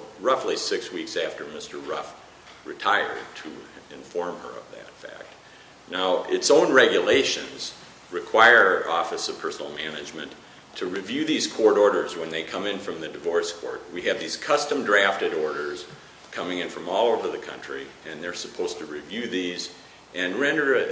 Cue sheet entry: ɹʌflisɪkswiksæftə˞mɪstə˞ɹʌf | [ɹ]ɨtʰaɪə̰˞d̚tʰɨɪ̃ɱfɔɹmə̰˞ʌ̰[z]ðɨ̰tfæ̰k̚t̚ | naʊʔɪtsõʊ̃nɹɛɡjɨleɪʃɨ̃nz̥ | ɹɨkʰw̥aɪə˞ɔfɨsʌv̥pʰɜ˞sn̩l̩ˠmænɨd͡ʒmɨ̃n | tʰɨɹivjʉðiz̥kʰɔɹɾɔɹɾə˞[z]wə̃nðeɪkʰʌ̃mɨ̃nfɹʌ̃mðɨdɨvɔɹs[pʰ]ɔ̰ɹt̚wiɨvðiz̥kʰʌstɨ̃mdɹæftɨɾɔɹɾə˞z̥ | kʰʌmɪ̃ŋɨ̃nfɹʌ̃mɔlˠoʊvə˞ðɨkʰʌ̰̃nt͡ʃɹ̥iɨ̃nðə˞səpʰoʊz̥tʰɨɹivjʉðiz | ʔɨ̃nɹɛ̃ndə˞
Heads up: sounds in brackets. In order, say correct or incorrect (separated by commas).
correct, incorrect, correct, incorrect